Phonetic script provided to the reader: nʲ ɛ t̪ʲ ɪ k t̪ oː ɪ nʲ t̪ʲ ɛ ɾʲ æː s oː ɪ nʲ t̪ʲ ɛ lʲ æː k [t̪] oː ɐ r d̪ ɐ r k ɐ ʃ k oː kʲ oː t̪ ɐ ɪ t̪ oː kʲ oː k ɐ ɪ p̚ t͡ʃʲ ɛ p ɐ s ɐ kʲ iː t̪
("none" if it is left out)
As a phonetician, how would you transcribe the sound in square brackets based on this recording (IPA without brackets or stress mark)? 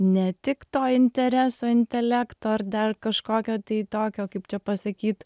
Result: t̪